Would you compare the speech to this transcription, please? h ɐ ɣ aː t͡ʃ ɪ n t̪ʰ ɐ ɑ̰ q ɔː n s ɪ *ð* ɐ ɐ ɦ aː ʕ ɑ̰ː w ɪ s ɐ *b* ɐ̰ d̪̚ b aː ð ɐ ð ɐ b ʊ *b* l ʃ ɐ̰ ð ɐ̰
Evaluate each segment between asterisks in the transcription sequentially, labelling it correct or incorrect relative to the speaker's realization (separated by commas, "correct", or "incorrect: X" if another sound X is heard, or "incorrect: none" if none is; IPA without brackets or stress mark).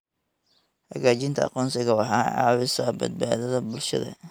incorrect: ɣ, correct, incorrect: none